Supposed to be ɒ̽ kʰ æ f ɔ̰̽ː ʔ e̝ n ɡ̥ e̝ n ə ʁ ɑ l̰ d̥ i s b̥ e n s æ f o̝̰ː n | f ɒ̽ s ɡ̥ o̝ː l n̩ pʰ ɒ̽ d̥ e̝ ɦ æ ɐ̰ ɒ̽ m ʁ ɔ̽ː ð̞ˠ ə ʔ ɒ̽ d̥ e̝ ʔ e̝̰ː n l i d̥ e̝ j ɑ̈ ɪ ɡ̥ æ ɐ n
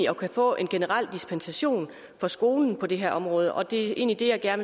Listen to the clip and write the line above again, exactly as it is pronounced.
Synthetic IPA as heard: ɒ̽ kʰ æ f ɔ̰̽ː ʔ e̝ n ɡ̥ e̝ n ə ʁ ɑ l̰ d̥ i s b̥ e n s æ ɕ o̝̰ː n | f ɒ̽ s ɡ̥ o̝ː l n̩ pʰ ɒ̽ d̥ e̝ ɦ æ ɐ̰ ɒ̽ m ʁ ɔ̽ː ð̞ˠ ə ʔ ɒ̽ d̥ e̝ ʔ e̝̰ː n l i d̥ e̝ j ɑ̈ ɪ ɡ̥ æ ɐ n